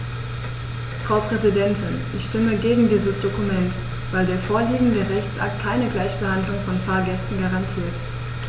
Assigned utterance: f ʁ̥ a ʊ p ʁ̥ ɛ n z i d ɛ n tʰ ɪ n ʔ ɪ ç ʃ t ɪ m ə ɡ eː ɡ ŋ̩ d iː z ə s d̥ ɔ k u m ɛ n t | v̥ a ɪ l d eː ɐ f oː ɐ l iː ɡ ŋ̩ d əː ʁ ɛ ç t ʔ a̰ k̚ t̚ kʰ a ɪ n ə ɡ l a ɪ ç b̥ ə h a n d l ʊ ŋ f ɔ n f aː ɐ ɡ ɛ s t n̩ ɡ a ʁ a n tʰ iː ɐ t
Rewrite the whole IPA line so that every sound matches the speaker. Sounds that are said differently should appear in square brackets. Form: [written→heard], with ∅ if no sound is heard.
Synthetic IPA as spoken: f ʁ̥ a ʊ p ʁ̥ ɛ [n→∅] z i d ɛ n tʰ ɪ n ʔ ɪ ç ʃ t ɪ m ə ɡ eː ɡ ŋ̩ d iː z ə s d̥ [ɔ→o] k u m ɛ n t | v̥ a ɪ l d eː ɐ f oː ɐ l iː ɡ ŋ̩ d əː ʁ ɛ ç [t→t͡s] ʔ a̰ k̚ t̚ kʰ a ɪ n ə ɡ l a ɪ ç b̥ ə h a n d l ʊ ŋ f ɔ n f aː ɐ ɡ ɛ s t n̩ ɡ a ʁ a n tʰ iː ɐ t